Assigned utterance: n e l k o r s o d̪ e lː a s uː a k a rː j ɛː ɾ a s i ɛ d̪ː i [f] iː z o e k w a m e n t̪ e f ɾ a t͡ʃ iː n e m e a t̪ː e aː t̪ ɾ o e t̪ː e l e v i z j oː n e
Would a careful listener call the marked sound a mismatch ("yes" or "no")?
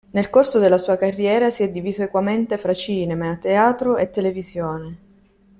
yes